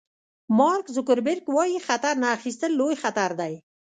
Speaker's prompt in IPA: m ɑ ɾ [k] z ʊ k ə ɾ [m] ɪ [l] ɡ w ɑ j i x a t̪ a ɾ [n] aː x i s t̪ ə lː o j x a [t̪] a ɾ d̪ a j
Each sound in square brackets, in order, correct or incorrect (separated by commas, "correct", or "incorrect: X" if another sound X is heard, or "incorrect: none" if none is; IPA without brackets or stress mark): correct, incorrect: b, incorrect: ɾ, correct, correct